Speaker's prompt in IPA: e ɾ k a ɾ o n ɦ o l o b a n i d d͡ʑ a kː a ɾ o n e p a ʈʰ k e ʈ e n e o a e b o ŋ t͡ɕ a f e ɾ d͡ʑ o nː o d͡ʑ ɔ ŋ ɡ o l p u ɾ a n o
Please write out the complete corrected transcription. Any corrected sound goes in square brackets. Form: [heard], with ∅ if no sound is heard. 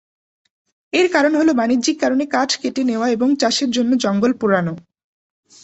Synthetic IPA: e ɾ k a ɾ o n ɦ o l o b a n i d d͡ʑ [i] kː a ɾ o n e [k] a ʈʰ k e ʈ e n e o a e b o ŋ t͡ɕ a [ʃ] e ɾ d͡ʑ o nː o d͡ʑ ɔ ŋ ɡ o l p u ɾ a n o

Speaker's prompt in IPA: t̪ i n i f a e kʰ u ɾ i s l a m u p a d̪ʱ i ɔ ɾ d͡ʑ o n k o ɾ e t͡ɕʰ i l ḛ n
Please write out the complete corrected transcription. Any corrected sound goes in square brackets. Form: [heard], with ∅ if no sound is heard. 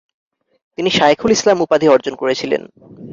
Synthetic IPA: t̪ i n i [ʃ] a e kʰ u [l] i s l a m u p a d̪ʱ i ɔ ɾ d͡ʑ o n k o ɾ e t͡ɕʰ i l ḛ n

